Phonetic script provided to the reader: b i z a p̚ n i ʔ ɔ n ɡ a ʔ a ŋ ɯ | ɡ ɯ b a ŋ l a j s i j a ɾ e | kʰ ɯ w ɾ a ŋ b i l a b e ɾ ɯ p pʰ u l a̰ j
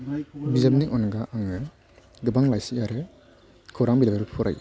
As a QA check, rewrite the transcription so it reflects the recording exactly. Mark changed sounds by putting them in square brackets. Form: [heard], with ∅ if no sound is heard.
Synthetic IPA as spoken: b i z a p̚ n i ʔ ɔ n ɡ a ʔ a ŋ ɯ | ɡ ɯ b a ŋ l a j s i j a ɾ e | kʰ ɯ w ɾ a ŋ b i l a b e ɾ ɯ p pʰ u [ɾ] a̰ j